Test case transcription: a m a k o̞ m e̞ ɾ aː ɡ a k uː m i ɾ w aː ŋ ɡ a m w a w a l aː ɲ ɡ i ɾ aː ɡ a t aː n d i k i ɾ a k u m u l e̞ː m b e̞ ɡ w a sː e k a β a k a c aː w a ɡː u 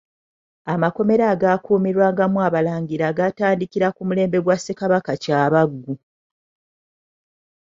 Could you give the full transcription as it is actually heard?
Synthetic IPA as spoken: a m a k o̞ m e̞ ɾ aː ɡ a k uː m i ɾ w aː ŋ ɡ a m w a β a l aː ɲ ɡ i ɾ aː ɡ a t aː n d i k i ɾ a k u m u l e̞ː m b e̞ ɡ w a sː e k a β a k a c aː β a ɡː u